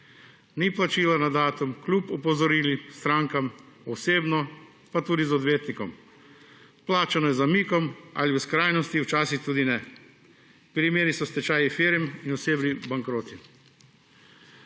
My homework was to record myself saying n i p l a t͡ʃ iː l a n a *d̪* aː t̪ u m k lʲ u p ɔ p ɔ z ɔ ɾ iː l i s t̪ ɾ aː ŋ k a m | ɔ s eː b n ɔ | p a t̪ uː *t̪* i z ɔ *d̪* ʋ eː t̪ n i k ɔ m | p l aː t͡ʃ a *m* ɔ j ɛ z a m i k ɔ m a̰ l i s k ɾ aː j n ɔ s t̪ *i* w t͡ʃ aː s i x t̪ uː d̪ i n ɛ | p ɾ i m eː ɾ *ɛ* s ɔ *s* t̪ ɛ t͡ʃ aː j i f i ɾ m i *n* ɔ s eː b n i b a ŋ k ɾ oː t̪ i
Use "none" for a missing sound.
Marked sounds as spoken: d̪, d̪, d̪, n, i, i, s, n

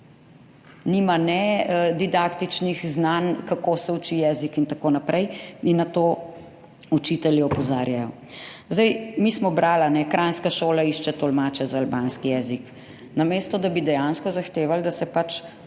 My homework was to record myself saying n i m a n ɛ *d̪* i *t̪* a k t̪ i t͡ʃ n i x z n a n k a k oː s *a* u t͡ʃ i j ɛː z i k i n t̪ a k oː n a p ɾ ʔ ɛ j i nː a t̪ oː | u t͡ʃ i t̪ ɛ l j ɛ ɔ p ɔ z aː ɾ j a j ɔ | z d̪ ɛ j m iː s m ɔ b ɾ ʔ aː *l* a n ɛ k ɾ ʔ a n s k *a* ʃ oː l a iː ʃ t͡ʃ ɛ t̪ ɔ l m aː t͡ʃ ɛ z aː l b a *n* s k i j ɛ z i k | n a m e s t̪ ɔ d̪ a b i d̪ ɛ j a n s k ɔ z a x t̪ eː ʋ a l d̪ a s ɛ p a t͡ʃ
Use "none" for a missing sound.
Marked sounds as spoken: d̪, d̪, ɛ, l, a, n

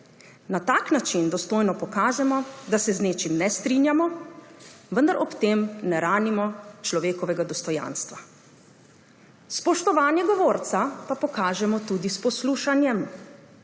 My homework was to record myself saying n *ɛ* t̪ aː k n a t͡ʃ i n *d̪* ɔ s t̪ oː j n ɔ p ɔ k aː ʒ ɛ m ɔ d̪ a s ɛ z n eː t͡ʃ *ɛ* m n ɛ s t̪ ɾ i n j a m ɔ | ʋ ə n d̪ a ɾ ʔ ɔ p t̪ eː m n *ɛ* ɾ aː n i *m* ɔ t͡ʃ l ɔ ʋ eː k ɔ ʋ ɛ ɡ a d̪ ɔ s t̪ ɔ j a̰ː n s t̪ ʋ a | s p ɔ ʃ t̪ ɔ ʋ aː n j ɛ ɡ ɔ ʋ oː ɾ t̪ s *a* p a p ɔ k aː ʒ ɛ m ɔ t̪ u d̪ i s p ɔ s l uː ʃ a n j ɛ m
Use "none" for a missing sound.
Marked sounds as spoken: a, d̪, i, ɛ, m, a

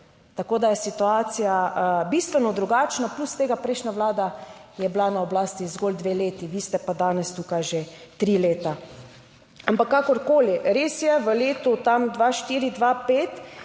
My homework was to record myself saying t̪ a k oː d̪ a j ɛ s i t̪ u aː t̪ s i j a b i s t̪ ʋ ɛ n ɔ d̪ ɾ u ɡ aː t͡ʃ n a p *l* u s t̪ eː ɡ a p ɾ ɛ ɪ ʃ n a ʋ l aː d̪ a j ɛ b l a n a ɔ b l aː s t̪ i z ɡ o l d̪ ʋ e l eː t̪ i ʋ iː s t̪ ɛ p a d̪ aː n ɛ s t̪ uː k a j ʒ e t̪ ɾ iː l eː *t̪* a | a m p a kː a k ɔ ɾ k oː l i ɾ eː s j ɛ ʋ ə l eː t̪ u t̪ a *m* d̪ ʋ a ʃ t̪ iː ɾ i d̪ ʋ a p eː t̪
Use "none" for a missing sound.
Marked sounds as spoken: l, t̪, m

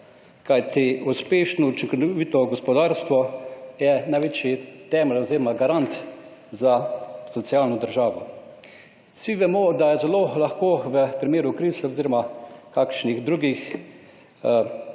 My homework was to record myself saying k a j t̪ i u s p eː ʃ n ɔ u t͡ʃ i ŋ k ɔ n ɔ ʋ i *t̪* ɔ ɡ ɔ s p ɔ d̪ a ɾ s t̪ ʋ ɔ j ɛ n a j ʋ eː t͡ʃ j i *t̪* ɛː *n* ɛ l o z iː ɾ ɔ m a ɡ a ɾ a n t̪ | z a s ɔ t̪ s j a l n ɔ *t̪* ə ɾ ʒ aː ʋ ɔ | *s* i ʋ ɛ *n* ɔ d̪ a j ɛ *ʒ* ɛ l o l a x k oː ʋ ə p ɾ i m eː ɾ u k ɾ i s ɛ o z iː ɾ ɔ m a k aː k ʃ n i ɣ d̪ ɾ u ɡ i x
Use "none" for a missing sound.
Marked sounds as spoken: t̪, t̪, m, d̪, s, m, z

